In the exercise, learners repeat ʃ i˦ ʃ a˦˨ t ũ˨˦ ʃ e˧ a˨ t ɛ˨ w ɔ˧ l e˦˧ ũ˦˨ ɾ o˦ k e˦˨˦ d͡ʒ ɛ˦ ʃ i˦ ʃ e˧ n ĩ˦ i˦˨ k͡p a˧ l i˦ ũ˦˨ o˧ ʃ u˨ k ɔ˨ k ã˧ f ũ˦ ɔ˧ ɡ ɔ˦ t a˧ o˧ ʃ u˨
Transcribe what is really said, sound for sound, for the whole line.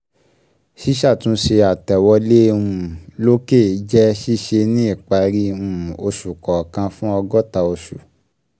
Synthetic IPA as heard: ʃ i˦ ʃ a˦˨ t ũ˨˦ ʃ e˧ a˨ t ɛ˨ w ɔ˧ l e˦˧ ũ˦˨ l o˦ k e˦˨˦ d͡ʒ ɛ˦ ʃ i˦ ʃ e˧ n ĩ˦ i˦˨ k͡p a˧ ɾ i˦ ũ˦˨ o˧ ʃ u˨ k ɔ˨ k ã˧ f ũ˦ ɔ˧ ɡ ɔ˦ t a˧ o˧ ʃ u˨